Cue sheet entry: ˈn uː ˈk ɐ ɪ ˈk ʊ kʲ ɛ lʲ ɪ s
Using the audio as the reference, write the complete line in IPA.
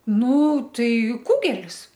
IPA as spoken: ˈn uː ˈt ɐ ɪ ˈk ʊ ɡʲ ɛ lʲ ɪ s